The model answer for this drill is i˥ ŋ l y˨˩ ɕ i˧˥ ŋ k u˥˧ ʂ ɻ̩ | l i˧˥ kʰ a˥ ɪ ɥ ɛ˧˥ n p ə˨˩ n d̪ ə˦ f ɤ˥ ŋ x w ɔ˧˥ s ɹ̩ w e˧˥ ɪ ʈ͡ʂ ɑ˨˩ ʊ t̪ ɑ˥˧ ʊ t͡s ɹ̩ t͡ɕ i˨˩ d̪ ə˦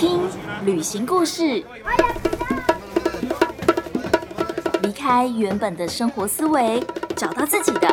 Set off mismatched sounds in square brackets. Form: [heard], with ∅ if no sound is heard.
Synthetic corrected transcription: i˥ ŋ l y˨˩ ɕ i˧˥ ŋ k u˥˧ ʂ ɻ̩ | l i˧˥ kʰ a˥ ɪ ɥ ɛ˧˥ n p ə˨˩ n d̪ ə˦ [ʂ] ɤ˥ ŋ x w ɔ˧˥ s ɹ̩ w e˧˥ ɪ ʈ͡ʂ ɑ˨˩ ʊ t̪ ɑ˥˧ ʊ t͡s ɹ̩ t͡ɕ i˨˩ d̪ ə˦